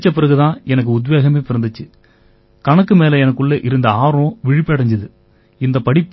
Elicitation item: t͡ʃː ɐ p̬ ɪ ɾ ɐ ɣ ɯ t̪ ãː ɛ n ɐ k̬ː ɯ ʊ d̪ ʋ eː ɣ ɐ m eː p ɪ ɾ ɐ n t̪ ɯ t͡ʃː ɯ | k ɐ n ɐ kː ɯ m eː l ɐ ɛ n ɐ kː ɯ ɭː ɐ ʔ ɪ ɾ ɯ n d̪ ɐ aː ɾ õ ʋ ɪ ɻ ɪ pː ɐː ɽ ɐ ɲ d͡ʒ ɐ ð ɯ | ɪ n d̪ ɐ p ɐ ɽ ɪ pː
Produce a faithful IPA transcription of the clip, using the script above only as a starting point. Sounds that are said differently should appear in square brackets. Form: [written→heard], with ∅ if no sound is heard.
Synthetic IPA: t͡ʃː ɐ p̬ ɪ ɾ ɐ ɣ ɯ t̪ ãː ɛ n ɐ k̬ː ɯ ʊ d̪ ʋ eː ɣ ɐ m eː p ɪ ɾ ɐ n [t̪→d̪] ɯ t͡ʃː ɯ | k ɐ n ɐ kː ɯ m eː l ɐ ɛ n ɐ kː ɯ ɭː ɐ ʔ ɪ ɾ ɯ n d̪ ɐ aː ɾ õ ʋ ɪ ɻ ɪ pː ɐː ɽ ɐ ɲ d͡ʒ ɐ ð ɯ | ɪ n d̪ ɐ p ɐ ɽ ɪ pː